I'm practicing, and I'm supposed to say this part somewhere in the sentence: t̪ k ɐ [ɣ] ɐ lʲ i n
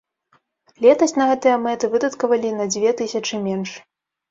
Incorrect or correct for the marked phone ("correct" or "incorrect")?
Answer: incorrect